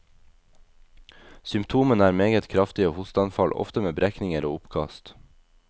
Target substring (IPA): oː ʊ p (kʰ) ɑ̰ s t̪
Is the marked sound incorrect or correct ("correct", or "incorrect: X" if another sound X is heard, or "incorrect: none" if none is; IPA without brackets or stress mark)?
correct